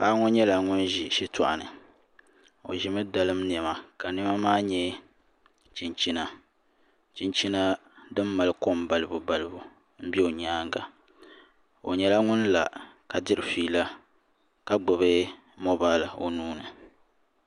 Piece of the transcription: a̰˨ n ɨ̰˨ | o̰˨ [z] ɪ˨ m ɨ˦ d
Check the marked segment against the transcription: incorrect: ʒ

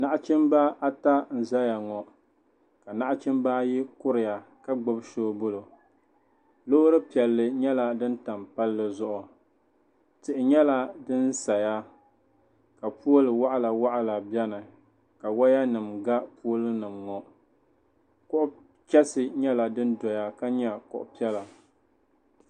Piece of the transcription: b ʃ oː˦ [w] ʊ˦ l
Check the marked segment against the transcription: incorrect: b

